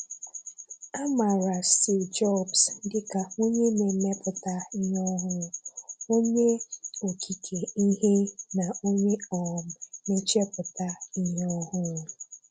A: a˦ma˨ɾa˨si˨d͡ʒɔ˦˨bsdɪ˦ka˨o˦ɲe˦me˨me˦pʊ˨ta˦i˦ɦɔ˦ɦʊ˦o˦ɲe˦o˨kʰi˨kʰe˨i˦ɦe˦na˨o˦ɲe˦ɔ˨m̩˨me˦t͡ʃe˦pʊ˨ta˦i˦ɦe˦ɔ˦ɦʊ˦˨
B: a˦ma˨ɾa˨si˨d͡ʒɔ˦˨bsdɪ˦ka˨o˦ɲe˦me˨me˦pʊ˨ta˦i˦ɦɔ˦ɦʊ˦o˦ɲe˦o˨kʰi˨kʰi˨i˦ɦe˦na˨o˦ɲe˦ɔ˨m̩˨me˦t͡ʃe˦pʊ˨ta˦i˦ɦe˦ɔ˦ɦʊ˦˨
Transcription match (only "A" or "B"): A